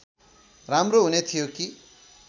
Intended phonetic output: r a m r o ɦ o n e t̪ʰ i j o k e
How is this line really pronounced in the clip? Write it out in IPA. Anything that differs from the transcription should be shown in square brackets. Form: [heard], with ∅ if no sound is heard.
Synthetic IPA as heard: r a m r o ɦ [u] n e t̪ʰ i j o k [i]